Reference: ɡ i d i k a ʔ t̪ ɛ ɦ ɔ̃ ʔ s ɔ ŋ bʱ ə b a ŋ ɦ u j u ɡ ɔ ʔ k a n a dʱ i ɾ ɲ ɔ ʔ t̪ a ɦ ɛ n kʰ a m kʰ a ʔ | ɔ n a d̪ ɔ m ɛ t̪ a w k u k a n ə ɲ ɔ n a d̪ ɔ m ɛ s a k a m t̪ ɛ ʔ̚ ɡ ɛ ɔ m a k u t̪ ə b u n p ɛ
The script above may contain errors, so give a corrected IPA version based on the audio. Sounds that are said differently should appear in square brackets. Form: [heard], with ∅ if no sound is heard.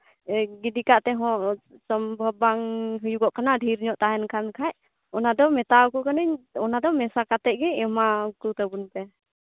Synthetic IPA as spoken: ɡ i d i k a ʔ t̪ ɛ ɦ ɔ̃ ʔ s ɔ [m] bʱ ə b a ŋ ɦ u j u ɡ ɔ ʔ k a n a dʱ i ɾ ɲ ɔ ʔ t̪ a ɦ ɛ n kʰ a [n] kʰ a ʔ | ɔ n a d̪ ɔ m ɛ t̪ a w k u k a n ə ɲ ɔ n a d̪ ɔ m ɛ s a k a [∅] t̪ ɛ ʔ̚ ɡ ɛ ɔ m a k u t̪ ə b u n p ɛ